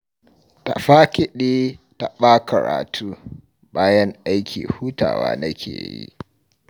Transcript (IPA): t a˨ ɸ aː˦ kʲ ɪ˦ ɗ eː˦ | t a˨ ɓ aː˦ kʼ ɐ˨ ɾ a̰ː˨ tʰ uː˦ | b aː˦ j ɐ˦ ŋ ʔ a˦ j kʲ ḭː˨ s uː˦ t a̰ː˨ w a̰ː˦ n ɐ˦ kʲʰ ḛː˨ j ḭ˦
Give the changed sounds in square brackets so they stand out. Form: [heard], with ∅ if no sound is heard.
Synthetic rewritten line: t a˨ ɸ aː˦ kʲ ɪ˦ ɗ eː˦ | t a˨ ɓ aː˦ [k] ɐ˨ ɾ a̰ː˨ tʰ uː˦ | b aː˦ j ɐ˦ ŋ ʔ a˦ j kʲ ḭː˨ [h] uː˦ t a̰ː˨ w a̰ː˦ n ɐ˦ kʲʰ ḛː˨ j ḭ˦

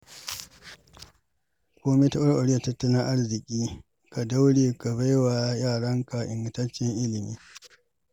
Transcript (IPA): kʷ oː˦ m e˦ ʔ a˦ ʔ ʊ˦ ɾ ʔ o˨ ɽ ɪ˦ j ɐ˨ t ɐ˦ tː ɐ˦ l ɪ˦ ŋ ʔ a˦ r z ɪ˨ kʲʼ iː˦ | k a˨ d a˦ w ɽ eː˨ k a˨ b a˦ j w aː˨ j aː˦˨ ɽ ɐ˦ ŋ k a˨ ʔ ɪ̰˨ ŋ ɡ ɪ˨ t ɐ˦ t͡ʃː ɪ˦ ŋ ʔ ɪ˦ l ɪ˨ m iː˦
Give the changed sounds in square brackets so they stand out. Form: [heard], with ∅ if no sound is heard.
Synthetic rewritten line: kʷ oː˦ m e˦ [t] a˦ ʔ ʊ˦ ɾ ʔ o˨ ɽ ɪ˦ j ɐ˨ t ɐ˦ tː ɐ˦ l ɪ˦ ŋ ʔ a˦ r z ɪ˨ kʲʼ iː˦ | k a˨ d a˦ w ɽ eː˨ k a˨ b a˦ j w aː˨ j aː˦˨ ɽ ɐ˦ ŋ k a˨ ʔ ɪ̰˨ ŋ ɡ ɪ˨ t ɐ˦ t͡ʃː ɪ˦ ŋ ʔ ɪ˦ l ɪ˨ m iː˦

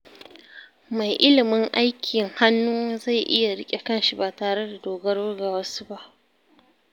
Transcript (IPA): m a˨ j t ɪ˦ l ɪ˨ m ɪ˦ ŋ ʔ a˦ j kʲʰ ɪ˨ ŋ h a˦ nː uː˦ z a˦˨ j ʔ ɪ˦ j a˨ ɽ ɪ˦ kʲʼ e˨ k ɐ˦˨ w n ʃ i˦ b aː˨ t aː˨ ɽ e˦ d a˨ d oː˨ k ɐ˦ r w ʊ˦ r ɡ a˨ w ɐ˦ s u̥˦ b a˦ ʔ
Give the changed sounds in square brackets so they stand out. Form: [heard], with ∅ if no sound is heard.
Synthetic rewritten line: m a˨ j [ʔ] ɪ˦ l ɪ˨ m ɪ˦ ŋ ʔ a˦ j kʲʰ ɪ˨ ŋ h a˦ nː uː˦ z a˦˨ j ʔ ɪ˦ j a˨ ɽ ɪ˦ kʲʼ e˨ k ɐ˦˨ [∅] n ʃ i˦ b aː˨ t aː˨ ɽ e˦ d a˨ d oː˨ [ɡ] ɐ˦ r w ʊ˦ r ɡ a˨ w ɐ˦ s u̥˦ b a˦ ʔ

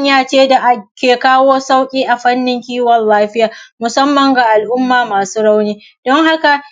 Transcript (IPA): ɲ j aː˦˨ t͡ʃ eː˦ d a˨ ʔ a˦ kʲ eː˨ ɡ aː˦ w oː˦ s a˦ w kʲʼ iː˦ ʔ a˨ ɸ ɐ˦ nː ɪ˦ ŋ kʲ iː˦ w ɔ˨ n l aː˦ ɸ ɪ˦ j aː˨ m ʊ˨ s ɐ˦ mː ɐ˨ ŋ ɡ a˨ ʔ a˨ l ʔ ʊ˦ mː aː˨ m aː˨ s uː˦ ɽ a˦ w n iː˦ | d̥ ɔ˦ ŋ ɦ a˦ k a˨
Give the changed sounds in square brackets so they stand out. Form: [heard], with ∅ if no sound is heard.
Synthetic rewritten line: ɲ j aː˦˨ t͡ʃ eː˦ d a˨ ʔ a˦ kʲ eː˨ [k] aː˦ w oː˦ s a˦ w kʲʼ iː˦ ʔ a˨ ɸ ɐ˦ nː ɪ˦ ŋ kʲ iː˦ w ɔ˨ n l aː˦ ɸ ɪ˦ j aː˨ m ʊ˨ s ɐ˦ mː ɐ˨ ŋ ɡ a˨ ʔ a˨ l ʔ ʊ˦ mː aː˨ m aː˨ s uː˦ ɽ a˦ w n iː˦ | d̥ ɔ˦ ŋ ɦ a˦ k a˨

